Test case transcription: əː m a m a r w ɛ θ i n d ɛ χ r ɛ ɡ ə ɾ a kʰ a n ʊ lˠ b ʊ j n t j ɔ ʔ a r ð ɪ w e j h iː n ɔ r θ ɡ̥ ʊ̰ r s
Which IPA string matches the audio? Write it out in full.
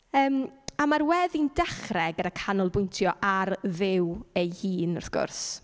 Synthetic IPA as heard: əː m a m a r w ɛ ð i n d ɛ χ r ɛ ɡ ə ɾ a kʰ a n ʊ lˠ b ʊ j n tʰ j ɔ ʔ a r ð ɪ w e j h iː n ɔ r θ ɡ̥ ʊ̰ r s